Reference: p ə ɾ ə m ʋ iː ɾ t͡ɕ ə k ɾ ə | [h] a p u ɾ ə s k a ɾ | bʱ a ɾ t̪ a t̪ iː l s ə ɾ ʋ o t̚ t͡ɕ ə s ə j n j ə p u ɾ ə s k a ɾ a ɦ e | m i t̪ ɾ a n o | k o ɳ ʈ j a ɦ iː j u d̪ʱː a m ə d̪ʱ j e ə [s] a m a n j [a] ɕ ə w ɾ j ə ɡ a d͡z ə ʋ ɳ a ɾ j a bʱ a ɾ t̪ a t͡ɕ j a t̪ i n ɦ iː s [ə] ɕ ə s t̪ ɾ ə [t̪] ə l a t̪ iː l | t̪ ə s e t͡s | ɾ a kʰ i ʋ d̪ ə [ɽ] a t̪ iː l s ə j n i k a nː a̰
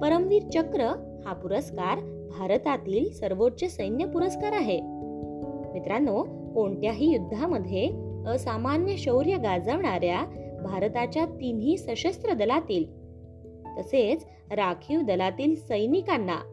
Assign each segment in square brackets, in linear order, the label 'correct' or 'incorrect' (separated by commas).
correct, correct, incorrect, correct, incorrect, incorrect